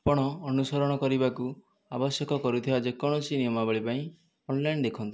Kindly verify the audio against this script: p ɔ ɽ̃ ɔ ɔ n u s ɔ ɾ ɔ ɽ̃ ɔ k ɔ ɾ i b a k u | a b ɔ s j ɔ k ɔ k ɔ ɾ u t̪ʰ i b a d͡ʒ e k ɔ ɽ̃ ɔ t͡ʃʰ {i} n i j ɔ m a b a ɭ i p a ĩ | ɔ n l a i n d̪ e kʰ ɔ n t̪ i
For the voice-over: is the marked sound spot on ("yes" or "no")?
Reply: yes